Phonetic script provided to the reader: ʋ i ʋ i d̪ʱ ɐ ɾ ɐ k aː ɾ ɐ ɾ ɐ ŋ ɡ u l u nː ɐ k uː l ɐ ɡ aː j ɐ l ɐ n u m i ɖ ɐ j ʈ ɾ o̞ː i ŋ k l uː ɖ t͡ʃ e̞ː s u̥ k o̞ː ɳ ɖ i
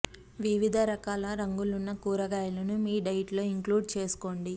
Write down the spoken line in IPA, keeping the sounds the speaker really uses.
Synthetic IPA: ʋ i ʋ i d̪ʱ ɐ ɾ ɐ k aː l ɐ ɾ ɐ ŋ ɡ u l u nː ɐ k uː ɾ ɐ ɡ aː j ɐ l ɐ n u m iː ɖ ɐ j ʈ l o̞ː i ŋ k l uː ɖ t͡ʃ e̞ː s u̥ k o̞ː ɳ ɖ i

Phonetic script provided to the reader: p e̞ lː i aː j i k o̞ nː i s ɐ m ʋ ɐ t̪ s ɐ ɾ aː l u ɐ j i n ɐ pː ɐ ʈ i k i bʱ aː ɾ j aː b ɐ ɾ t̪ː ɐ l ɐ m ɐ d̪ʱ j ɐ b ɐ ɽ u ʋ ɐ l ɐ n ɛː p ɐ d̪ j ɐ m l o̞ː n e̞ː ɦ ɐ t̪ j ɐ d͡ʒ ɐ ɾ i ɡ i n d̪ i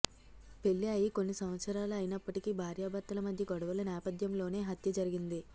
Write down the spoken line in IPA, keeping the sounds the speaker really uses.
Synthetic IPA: p e̞ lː i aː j i k o̞ nː i s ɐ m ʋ ɐ t̪ s ɐ ɾ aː l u ɐ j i n ɐ pː ɐ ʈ i k i bʱ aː ɾ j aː b ɐ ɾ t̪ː ɐ l ɐ m ɐ d̪ʱ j ɐ ɡ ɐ ɽ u ʋ ɐ l ɐ n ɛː p ɐ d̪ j ɐ m l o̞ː n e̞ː ɦ ɐ t̪ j ɐ d͡ʒ ɐ ɾ i ɡ i n d̪ i

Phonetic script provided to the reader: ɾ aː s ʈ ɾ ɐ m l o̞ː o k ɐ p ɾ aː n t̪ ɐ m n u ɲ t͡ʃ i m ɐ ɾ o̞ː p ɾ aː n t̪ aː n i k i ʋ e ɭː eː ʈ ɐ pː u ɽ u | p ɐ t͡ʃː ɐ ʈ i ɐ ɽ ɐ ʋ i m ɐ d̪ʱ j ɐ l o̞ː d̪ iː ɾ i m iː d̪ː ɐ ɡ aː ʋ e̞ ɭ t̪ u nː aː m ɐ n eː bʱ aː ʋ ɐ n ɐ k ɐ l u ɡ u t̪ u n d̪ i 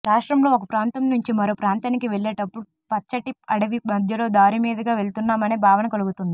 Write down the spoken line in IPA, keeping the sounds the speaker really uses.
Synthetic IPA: ɾ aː ʂ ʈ ɾ ɐ m l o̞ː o k ɐ p ɾ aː n t̪ ɐ m n u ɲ t͡ʃ i m ɐ ɾ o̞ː p ɾ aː n t̪ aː n i k i ʋ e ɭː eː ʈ ɐ pː u ɽ u | p ɐ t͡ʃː ɐ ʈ i ɐ ɽ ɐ ʋ i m ɐ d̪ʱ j ɐ l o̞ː d̪ aː ɾ i m iː d̪ ɐ ɡ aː ʋ e̞ ɭ t̪ u nː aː m ɐ n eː bʱ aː ʋ ɐ n ɐ k ɐ l u ɡ u t̪ u n d̪ i

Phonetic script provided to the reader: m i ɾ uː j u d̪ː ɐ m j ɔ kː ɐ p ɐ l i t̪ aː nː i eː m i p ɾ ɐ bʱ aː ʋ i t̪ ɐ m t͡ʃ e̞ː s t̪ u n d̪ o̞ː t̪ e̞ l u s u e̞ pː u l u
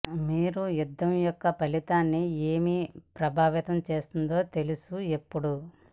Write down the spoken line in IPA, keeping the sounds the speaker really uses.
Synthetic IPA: m iː ɾ u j u d̪ː ɐ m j ɔ kː ɐ p ɐ l i t̪ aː nː i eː m i p ɾ ɐ bʱ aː ʋ i t̪ ɐ m t͡ʃ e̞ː s t̪ u n d̪ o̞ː t̪ e̞ l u s u e̞ pː u ɽ u

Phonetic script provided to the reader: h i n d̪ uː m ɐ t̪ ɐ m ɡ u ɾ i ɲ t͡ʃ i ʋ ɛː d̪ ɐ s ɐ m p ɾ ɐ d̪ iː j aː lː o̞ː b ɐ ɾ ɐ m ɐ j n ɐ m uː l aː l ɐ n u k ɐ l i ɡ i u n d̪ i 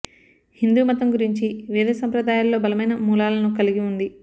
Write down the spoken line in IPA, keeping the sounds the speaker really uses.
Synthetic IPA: h i n d̪ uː m ɐ t̪ ɐ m ɡ u ɾ i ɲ t͡ʃ i ʋ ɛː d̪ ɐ s ɐ m p ɾ ɐ d̪ aː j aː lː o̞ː b ɐ l ɐ m ɐ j n ɐ m uː l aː l ɐ n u k ɐ l i ɡ i u n d̪ i

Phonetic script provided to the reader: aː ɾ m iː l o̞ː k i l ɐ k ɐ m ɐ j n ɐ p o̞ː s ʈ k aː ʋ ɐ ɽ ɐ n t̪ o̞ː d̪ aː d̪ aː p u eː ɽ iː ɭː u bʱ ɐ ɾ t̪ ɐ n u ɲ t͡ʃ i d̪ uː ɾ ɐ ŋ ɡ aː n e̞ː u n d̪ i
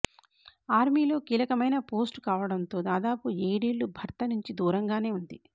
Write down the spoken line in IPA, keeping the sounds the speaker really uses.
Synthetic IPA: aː ɾ m iː l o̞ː k iː l ɐ k ɐ m ɐ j n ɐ p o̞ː s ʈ k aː ʋ ɐ ɽ ɐ n t̪ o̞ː d̪ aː d̪ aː p u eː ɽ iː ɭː u bʱ ɐ ɾ t̪ ɐ n u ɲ t͡ʃ i d̪ uː ɾ ɐ ŋ ɡ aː n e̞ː u n d̪ i

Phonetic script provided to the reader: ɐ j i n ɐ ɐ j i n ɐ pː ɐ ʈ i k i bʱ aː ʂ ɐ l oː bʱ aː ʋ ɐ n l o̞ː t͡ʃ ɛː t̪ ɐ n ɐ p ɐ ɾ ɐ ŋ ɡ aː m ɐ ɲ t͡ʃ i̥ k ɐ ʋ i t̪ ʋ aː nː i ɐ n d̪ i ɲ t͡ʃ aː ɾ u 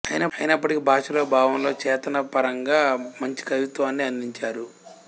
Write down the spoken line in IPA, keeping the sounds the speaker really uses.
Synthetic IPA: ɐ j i n ɐ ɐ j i n ɐ pː ɐ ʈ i k i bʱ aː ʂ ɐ l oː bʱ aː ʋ ɐ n l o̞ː t͡ʃ ɛː t̪ ɐ n ɐ p ɐ ɾ ɐ ŋ ɡ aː m ɐ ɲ t͡ʃ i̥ k ɐ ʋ i t̪ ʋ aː nː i ɐ n d̪ i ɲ t͡ʃ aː ɾ u

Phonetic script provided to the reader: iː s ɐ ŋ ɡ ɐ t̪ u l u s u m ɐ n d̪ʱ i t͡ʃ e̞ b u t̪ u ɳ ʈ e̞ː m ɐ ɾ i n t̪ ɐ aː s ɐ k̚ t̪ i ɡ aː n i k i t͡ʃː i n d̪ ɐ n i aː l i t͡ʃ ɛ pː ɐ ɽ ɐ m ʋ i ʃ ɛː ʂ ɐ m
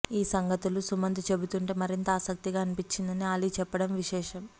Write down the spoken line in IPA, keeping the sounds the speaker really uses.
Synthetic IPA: iː s ɐ ŋ ɡ ɐ t̪ u l u s u m ɐ n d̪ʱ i t͡ʃ e̞ b u t̪ u ɳ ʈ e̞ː m ɐ ɾ i n t̪ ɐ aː s ɐ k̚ t̪ i ɡ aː n i p i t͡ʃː i n d̪ ɐ n i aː l i t͡ʃ ɛ pː ɐ ɽ ɐ m ʋ i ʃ ɛː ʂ ɐ m

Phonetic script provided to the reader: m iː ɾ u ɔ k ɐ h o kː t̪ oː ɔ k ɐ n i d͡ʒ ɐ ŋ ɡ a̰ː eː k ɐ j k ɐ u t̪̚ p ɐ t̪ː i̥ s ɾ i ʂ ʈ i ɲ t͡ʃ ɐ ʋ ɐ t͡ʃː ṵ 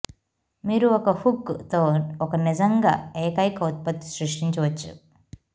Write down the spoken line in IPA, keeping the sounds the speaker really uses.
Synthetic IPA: m iː ɾ u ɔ k ɐ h u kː t̪ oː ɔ k ɐ n i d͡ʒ ɐ ŋ ɡ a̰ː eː k ɐ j k ɐ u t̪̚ p ɐ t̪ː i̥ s ɾ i ʂ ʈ i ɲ t͡ʃ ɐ ʋ ɐ t͡ʃː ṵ

